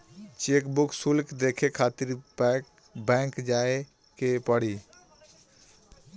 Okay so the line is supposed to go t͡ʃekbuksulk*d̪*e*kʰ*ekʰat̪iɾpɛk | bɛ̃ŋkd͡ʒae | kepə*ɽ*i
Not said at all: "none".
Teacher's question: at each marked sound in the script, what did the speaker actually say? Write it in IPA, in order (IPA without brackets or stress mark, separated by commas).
d̪, kʰ, ɽ